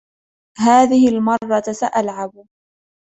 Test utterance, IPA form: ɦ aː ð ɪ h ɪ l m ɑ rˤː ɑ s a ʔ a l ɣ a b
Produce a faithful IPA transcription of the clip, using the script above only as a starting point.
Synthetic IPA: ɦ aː ð ɪ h ɪ l m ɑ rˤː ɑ s a ʔ a l ʕ a b